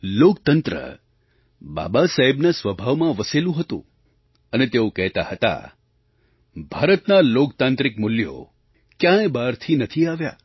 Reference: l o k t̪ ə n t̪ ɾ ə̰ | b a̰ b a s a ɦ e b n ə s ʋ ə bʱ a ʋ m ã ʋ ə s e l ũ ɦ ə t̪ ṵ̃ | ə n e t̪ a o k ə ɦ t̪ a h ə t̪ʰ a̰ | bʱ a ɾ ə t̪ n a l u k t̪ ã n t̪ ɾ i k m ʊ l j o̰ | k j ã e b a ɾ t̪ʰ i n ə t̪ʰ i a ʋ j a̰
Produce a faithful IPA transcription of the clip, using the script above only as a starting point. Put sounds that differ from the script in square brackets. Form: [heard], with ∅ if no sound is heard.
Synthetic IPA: l o k t̪ ə n t̪ ɾ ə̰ | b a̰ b a s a ɦ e b n [a] s ʋ ə bʱ a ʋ m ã ʋ ə s e l ũ ɦ ə t̪ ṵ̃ | ə n e t̪ [e] o k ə ɦ t̪ a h ə [t̪] a̰ | bʱ a ɾ ə t̪ n a l [o] k t̪ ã n t̪ ɾ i k m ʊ l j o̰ | k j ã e b a ɾ t̪ʰ i n ə t̪ʰ i a ʋ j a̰